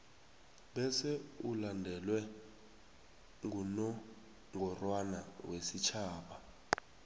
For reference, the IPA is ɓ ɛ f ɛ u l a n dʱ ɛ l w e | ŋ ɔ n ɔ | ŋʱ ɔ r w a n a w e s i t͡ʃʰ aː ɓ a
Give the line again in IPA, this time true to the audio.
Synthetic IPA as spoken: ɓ ɛ s ɛ u l a n dʱ ɛ l w ɛ | ŋ u n ɔ | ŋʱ ɔ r w a n a w e s i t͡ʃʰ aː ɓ a